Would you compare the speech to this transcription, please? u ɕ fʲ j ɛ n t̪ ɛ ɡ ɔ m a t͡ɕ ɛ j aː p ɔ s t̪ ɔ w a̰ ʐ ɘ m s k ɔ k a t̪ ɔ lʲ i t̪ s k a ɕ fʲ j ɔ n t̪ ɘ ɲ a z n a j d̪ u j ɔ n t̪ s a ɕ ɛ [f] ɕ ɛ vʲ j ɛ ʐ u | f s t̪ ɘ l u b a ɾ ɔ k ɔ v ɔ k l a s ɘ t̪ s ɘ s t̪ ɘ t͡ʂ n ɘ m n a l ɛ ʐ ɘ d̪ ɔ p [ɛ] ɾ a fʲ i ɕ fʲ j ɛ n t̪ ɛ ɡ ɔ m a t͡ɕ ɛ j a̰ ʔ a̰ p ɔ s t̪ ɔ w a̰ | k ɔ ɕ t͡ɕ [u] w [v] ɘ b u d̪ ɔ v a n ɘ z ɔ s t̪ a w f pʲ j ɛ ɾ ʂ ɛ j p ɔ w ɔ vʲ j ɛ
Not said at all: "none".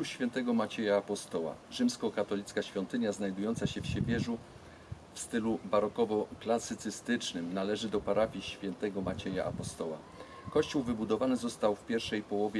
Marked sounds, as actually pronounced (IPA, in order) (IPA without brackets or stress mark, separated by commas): f, a, u, v